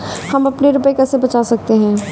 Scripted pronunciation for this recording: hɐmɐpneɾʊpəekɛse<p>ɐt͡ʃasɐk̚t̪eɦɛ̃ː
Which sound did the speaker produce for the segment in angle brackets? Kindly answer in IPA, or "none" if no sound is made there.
b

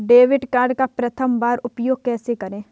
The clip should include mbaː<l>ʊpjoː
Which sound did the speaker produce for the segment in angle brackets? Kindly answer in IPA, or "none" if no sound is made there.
ɾ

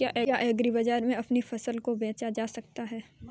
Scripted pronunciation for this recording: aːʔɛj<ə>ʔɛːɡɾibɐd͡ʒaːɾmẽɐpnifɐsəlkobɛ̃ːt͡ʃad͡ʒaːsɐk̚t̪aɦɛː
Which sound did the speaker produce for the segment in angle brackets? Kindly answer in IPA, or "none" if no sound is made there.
a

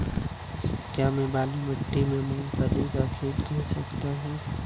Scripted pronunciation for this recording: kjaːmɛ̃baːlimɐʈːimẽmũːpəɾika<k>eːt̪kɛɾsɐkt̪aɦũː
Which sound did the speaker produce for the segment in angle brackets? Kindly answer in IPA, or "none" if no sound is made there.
kʰ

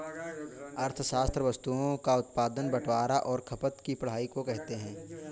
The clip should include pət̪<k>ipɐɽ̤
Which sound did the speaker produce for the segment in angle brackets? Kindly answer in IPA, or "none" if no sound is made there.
k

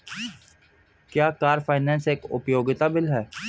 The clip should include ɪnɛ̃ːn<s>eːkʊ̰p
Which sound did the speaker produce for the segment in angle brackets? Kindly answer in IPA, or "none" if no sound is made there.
s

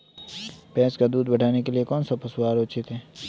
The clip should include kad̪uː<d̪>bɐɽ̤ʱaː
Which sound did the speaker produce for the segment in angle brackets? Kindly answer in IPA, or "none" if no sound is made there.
d̪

